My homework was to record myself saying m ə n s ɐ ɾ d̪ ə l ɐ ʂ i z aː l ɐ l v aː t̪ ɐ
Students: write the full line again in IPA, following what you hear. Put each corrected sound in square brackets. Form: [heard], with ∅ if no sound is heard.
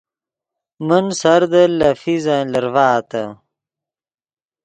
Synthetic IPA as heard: m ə n s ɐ ɾ d̪ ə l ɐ [f] i z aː l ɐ [ɾ] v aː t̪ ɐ